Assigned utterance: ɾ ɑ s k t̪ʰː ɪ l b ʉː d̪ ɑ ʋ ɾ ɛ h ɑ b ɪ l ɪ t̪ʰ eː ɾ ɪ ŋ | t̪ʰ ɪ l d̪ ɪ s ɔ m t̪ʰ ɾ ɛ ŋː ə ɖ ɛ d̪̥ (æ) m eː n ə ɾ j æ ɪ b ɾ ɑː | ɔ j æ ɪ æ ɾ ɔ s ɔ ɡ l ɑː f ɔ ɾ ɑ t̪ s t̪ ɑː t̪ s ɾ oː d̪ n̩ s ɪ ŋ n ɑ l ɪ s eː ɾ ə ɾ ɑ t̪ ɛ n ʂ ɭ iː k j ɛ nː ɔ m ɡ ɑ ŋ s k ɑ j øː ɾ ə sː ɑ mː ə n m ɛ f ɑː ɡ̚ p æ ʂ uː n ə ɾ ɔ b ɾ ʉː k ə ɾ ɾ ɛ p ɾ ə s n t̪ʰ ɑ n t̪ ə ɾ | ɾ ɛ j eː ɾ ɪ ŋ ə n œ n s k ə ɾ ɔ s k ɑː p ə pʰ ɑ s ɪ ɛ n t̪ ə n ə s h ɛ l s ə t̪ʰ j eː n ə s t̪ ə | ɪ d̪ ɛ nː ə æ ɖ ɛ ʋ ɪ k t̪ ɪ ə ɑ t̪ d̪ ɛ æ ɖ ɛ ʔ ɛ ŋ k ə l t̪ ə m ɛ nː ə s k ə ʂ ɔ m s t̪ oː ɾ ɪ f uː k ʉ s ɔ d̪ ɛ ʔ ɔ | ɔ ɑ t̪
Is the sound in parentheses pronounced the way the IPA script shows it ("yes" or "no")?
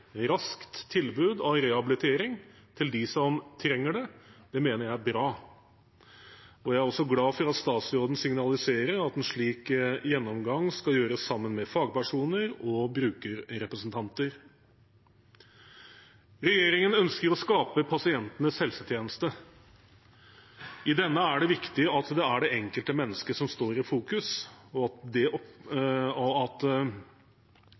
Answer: no